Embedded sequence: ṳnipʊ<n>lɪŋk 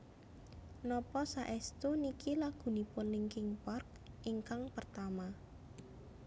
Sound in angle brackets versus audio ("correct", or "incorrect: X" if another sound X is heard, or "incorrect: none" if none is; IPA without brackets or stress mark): correct